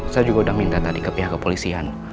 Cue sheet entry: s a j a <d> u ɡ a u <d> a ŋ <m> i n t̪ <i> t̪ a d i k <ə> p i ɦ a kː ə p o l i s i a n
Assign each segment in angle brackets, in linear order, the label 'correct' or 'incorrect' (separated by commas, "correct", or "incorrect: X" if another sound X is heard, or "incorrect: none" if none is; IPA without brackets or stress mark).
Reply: incorrect: d͡ʒ, correct, correct, incorrect: a, correct